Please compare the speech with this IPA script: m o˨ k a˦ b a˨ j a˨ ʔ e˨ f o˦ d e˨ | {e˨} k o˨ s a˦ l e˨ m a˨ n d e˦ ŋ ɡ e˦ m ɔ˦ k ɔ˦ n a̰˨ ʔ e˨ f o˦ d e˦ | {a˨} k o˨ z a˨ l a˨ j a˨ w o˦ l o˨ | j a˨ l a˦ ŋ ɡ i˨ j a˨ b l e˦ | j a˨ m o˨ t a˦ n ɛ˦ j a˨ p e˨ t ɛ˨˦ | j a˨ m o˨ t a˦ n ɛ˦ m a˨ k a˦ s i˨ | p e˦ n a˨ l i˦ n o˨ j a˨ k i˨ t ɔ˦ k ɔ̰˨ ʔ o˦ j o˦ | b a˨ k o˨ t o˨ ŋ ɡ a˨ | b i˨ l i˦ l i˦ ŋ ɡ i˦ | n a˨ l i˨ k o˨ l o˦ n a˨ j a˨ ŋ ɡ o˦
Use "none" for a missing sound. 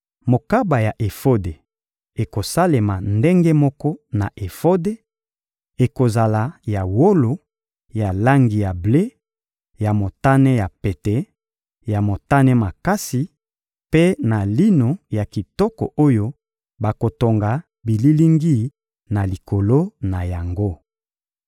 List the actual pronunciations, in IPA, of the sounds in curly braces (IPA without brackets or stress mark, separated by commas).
e˨, e˨